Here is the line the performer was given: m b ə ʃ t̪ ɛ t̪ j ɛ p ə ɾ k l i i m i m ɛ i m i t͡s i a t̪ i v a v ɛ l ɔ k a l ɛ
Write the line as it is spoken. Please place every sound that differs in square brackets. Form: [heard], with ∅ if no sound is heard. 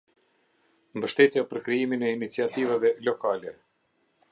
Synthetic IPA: m b ə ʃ t̪ ɛ t̪ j [a] p ə ɾ k [ɾ] i i m i [n] ɛ i [n] i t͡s i a t̪ i v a v ɛ l ɔ k a l ɛ